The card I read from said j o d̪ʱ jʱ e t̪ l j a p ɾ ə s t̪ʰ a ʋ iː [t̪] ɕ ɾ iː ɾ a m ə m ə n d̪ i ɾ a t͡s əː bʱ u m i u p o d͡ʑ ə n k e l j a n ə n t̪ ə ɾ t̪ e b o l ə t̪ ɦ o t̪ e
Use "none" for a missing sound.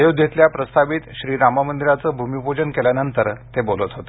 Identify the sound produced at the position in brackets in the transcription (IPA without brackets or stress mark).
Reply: t̪